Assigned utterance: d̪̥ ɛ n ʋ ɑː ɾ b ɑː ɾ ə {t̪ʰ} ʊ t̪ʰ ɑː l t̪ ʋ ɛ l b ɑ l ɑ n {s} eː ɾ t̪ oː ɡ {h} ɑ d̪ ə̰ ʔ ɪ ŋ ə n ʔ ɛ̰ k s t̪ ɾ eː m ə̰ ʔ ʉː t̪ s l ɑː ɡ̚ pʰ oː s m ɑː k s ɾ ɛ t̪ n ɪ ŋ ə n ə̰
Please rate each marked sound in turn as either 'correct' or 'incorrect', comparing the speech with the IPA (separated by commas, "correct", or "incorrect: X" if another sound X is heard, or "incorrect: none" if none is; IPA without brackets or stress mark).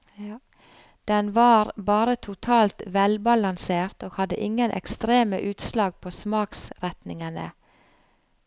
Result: correct, correct, correct